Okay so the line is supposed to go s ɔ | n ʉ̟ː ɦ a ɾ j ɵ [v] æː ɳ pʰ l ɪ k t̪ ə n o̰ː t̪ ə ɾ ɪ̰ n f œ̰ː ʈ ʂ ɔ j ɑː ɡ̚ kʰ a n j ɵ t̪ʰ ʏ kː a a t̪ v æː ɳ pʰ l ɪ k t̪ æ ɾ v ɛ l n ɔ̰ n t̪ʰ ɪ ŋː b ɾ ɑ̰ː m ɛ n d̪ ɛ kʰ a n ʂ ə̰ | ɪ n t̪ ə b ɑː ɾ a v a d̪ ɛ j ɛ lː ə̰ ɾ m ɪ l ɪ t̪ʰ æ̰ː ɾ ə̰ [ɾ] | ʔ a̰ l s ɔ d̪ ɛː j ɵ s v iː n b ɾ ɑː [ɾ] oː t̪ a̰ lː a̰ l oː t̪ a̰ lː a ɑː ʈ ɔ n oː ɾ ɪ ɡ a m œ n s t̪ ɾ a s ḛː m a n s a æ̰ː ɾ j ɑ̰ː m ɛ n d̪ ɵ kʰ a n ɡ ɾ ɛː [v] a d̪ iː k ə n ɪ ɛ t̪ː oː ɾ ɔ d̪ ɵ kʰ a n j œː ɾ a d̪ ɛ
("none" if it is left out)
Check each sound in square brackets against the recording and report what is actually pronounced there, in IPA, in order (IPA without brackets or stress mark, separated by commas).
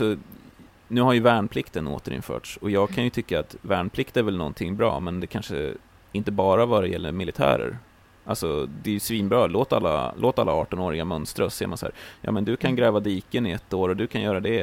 v, ɾ, l, v